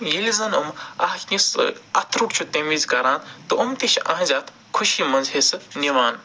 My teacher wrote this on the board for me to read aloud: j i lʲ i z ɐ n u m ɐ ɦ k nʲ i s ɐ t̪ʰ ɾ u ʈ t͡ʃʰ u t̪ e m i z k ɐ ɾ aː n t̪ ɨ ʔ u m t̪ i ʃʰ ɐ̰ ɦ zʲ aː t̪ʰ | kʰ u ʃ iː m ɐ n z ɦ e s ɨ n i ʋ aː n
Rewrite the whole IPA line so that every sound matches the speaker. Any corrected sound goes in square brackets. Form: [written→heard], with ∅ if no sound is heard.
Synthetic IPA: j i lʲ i z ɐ n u m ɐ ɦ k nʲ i s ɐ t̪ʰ ɾ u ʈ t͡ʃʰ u t̪ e m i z k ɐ ɾ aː n t̪ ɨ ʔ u m t̪ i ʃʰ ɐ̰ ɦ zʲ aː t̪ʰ | kʰ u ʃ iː m ɐ n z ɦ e s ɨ n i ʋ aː n